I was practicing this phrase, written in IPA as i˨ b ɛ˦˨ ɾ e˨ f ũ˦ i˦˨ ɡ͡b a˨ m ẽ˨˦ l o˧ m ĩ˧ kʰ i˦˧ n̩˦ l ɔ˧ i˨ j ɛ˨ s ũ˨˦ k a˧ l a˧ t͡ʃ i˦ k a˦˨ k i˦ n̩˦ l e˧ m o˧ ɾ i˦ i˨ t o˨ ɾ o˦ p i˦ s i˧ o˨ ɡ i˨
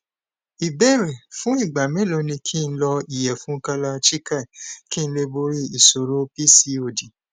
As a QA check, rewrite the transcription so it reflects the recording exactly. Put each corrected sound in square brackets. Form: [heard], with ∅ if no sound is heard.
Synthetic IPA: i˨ b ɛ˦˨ ɾ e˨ f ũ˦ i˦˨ ɡ͡b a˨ m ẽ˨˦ l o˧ [n] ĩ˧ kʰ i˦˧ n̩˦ l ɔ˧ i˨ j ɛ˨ [f] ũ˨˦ k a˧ l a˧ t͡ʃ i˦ k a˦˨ k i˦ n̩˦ l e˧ [b] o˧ ɾ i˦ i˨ [s] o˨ ɾ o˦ p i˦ s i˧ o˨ [d] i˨